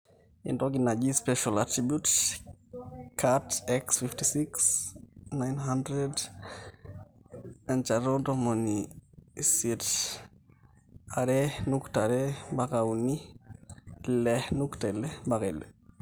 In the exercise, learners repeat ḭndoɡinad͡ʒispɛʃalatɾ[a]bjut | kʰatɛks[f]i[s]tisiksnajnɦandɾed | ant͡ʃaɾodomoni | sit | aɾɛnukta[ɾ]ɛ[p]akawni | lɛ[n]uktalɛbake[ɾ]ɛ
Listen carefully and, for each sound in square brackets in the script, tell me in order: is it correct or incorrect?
incorrect, correct, incorrect, correct, incorrect, correct, incorrect

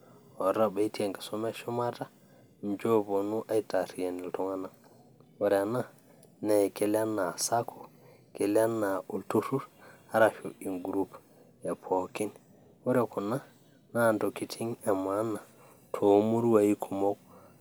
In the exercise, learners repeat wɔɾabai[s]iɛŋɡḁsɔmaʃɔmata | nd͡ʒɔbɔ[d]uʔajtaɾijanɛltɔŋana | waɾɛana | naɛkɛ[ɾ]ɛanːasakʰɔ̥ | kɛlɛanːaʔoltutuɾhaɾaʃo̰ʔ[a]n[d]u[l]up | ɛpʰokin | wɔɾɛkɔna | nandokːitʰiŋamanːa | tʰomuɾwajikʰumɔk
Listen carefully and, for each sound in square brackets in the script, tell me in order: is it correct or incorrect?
incorrect, incorrect, incorrect, incorrect, incorrect, incorrect

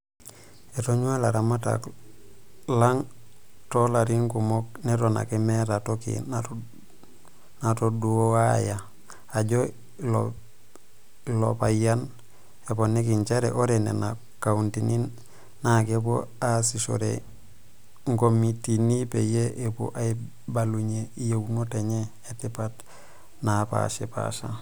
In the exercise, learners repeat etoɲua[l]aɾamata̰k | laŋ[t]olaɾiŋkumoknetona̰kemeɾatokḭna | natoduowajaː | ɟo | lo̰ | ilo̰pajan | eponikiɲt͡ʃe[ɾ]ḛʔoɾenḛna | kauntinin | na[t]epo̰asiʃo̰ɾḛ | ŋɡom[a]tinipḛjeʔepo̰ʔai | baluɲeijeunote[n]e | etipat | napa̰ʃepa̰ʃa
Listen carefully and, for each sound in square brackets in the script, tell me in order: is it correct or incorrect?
correct, correct, correct, incorrect, incorrect, incorrect

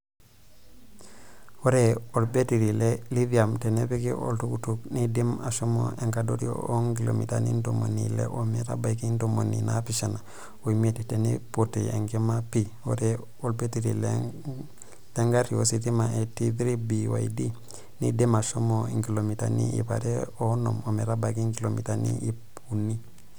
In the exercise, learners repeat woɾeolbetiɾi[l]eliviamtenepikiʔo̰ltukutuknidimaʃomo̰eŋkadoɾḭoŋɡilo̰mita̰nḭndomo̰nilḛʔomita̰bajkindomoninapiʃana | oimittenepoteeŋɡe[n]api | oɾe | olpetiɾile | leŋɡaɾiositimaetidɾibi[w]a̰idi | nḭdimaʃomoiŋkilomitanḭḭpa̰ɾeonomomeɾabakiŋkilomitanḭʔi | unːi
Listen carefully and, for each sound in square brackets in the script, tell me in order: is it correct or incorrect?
correct, incorrect, correct

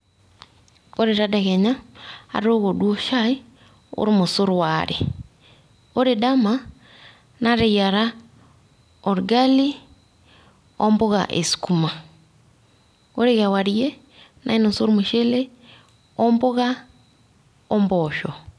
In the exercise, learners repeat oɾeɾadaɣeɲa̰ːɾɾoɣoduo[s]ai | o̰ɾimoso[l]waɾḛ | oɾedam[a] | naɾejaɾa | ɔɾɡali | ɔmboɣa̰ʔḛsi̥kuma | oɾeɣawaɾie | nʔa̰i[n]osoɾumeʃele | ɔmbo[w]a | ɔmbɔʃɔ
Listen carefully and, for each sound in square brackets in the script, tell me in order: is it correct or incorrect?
incorrect, incorrect, correct, correct, incorrect

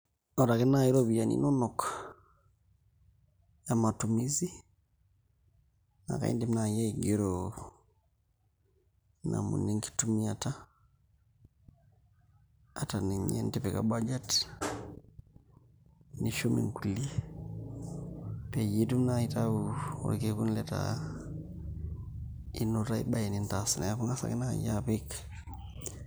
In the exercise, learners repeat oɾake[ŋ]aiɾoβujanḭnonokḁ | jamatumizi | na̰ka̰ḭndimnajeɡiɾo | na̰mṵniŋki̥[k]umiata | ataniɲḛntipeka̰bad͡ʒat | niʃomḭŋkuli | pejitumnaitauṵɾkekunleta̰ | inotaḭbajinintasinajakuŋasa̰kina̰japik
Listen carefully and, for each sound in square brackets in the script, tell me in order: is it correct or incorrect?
incorrect, incorrect

